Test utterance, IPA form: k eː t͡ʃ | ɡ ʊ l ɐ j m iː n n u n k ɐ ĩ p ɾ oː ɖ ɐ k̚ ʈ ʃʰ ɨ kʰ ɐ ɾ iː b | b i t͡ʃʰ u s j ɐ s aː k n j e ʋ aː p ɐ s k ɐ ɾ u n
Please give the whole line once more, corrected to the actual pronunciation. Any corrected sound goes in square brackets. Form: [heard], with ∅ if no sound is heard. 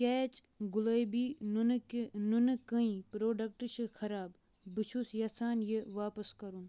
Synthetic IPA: k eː t͡ʃ | ɡ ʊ l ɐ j [b] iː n n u n k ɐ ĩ p ɾ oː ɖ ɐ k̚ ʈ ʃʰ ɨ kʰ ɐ ɾ [aː] b | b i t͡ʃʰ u s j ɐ s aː [∅] n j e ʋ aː p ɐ s k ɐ ɾ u n